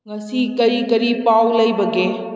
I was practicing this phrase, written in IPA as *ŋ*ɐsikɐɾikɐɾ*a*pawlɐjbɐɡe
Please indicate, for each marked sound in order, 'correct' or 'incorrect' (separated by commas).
correct, incorrect